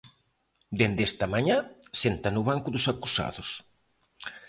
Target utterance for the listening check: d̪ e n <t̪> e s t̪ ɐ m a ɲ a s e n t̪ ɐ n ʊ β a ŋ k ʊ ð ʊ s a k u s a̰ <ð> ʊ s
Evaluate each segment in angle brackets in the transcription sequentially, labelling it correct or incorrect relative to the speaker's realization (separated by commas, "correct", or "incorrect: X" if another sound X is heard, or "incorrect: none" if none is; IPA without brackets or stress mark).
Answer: incorrect: d̪, correct